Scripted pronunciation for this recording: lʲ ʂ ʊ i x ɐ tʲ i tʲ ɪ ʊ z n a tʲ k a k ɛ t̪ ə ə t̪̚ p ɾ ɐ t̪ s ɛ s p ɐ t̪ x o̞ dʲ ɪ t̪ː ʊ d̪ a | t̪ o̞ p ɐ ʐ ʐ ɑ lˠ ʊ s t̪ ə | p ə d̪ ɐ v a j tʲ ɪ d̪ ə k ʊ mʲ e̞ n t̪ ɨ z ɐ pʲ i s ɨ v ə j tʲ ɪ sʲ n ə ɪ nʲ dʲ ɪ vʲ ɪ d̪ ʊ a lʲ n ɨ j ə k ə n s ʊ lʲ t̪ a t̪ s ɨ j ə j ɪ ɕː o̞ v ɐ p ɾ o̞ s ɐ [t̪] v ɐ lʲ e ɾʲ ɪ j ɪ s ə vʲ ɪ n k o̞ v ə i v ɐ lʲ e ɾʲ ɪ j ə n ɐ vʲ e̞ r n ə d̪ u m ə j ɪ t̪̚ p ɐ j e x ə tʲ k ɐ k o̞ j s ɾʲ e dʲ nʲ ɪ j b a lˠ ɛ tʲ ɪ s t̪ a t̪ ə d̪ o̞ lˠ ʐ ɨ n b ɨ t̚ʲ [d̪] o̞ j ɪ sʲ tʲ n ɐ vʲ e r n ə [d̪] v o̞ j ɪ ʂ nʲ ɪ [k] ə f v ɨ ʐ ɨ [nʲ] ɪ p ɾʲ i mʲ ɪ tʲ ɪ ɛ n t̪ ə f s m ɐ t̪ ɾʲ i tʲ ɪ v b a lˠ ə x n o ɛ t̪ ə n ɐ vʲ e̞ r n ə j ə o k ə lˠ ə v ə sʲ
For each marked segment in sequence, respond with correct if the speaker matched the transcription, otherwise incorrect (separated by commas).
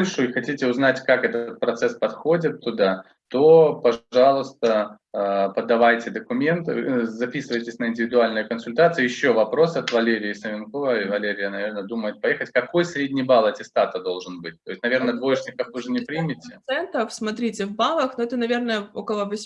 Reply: correct, incorrect, correct, correct, correct